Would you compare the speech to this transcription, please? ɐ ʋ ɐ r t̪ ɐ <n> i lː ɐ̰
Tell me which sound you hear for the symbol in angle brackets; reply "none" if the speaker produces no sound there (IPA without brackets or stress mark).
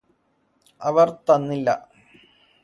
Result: nː